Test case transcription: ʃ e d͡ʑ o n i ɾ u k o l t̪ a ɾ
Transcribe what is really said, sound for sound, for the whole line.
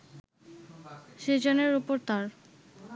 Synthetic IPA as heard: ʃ e d͡ʑ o n e ɾ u p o ɾ t̪ a ɾ